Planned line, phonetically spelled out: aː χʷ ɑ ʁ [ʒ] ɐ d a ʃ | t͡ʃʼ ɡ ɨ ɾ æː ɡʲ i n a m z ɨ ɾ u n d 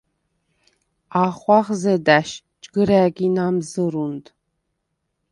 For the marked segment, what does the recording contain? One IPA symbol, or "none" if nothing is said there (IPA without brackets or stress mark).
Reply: z